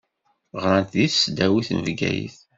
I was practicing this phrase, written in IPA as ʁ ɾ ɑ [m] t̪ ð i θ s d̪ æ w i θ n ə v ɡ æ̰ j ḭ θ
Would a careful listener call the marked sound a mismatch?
yes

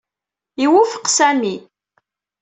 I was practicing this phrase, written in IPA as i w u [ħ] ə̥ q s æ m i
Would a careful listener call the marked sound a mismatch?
yes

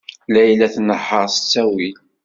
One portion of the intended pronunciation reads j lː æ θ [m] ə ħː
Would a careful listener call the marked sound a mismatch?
yes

